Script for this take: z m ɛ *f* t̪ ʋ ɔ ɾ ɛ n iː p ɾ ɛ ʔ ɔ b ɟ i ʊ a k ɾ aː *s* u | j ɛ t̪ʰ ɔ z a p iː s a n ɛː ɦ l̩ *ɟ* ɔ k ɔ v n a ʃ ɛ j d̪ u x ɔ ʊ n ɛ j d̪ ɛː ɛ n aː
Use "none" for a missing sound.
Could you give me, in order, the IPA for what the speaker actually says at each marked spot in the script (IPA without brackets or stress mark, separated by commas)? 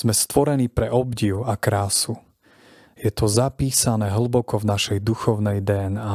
s, s, b